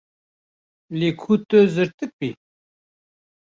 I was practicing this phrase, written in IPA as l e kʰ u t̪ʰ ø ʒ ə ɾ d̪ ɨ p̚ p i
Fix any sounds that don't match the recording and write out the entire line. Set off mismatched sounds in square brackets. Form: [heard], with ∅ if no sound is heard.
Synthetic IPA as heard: l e kʰ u [t̪] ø [z] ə ɾ [t̪] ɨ [k̚] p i